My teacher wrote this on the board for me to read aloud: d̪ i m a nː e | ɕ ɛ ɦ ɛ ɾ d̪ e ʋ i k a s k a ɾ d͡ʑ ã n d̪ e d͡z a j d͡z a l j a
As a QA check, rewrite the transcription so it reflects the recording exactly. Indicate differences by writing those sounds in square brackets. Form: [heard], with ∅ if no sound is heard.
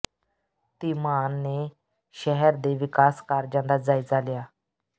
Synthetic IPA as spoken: [t̪] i m a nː e | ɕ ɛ ɦ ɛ ɾ d̪ e ʋ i k a s k a ɾ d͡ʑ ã n d̪ [a] d͡z a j d͡z a l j a

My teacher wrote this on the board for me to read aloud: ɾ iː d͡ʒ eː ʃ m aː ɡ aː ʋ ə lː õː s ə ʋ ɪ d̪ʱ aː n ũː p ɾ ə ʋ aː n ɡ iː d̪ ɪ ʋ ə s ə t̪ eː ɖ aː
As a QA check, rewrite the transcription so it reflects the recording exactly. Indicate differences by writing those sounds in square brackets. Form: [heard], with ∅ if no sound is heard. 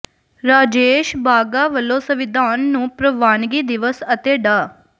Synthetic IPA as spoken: ɾ [aː] d͡ʒ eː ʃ [b] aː ɡ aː ʋ ə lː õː s ə ʋ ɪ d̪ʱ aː [nː] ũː p ɾ ə ʋ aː n ɡ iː d̪ ɪ ʋ ə s ə t̪ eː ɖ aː

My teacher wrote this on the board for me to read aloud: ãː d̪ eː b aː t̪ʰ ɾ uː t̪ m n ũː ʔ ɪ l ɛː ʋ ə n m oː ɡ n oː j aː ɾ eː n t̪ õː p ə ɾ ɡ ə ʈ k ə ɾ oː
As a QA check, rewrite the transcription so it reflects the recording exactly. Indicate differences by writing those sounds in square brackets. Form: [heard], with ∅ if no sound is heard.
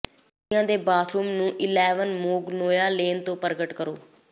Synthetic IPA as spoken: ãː d̪ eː b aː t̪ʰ ɾ uː [∅] m n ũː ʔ ɪ l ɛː ʋ ə n m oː ɡ n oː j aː [l] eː n t̪ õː p ə ɾ ɡ ə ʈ k ə ɾ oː

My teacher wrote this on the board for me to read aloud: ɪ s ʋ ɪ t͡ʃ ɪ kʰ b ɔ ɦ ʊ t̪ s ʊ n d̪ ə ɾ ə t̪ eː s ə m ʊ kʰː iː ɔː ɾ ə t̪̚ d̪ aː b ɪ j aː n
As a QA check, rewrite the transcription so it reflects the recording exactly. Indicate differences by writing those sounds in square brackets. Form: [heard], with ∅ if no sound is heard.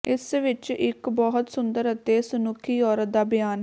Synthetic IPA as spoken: ɪ s ʋ ɪ t͡ʃ ɪ [k] b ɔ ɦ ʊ t̪ s ʊ n d̪ ə ɾ ə t̪ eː s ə [n] ʊ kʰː iː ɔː ɾ ə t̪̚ d̪ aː b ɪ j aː n

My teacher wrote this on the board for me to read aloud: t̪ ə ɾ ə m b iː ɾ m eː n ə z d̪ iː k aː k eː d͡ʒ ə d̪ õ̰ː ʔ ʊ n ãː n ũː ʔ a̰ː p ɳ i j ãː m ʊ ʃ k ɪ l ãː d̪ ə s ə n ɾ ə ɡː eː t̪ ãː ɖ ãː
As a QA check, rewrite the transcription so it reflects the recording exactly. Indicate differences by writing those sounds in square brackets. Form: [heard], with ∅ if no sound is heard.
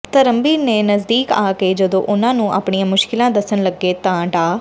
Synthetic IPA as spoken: t̪ ə ɾ ə m b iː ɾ [n] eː n ə z d̪ iː k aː k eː d͡ʒ ə d̪ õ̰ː ʔ ʊ n ãː n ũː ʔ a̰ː p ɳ i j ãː m ʊ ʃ k ɪ l ãː d̪ ə s ə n [l] ə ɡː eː t̪ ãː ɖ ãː

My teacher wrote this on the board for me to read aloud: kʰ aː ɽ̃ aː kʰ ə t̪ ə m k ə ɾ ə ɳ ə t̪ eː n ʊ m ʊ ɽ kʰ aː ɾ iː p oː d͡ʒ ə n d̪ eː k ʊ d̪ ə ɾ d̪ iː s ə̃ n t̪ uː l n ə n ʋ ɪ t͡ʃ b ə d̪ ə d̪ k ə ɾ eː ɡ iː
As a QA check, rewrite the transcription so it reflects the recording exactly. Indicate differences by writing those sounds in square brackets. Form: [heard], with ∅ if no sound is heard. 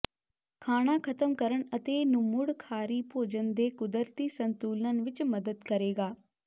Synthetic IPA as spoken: kʰ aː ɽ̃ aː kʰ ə t̪ ə m k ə ɾ ə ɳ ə t̪ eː n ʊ m ʊ ɽ kʰ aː ɾ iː p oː d͡ʒ ə n d̪ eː k ʊ d̪ ə ɾ [t̪] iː s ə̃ n t̪ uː l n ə n ʋ ɪ t͡ʃ [m] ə d̪ ə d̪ k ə ɾ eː ɡ [aː]

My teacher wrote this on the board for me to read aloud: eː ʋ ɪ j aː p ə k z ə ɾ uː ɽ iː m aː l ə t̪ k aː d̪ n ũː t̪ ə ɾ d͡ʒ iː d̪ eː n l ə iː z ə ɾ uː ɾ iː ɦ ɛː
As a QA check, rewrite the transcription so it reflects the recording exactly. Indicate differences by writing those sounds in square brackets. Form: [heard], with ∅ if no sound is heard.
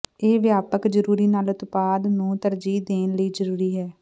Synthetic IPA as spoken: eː ʋ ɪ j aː p ə k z ə ɾ uː [ɾ] iː [n] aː l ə t̪ [p] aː d̪ n ũː t̪ ə ɾ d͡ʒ iː d̪ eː n l ə iː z ə ɾ uː ɾ iː ɦ ɛː

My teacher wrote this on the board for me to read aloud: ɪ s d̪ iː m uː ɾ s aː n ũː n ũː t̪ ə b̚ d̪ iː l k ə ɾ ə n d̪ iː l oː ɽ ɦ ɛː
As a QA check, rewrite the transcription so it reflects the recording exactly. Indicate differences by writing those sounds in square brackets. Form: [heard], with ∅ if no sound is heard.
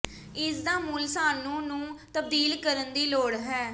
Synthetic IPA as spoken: ɪ s d̪ [aː] m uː [l] s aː n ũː n ũː t̪ ə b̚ d̪ iː l k ə ɾ ə n d̪ iː l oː ɽ ɦ ɛː

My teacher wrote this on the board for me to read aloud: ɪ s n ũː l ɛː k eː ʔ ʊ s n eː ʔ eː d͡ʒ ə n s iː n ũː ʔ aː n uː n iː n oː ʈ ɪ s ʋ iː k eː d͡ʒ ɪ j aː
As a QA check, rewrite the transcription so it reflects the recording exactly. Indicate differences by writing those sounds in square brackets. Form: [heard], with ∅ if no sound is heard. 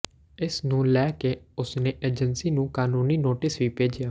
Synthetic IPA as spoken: ɪ s n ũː l ɛː k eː [∅] ʊ s n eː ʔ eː d͡ʒ ə n s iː n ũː [k] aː n uː n iː n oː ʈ ɪ s ʋ iː [p] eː d͡ʒ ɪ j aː

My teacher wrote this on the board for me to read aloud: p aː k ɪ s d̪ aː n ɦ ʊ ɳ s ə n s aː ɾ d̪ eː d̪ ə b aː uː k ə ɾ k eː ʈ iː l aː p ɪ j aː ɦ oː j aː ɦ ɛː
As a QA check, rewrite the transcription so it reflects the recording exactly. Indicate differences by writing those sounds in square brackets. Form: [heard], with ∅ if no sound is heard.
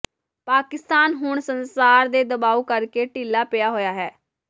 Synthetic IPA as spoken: p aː k ɪ s [t̪] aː n ɦ ʊ ɳ s ə n s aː ɾ d̪ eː d̪ ə b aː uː k ə ɾ k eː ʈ iː l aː p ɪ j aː ɦ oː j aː ɦ ɛː

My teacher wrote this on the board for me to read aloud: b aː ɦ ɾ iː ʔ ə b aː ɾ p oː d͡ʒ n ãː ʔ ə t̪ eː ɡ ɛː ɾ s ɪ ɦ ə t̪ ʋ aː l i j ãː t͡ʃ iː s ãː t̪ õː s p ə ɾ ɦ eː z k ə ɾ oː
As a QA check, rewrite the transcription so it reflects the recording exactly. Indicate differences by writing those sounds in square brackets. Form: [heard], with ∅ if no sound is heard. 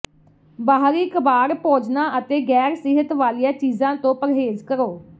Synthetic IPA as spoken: b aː ɦ ɾ iː [k] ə b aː ɾ p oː d͡ʒ n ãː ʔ ə t̪ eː ɡ ɛː ɾ s ɪ ɦ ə t̪ ʋ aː l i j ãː t͡ʃ iː [z] ãː t̪ õː [∅] p ə ɾ ɦ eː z k ə ɾ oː

